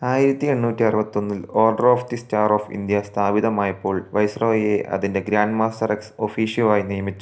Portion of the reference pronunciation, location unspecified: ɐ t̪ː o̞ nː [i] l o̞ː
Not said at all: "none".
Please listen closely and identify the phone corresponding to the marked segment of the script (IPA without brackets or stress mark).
i